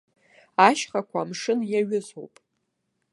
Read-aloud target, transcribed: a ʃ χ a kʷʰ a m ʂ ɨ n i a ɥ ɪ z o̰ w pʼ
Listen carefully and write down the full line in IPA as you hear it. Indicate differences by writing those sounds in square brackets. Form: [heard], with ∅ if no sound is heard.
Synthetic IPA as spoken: a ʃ χ a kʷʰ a m ʂ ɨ n [j] a ɥ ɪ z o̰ w pʼ